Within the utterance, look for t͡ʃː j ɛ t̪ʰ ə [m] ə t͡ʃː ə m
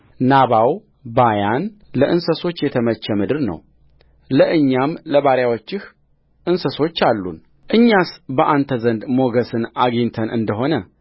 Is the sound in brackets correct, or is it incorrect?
correct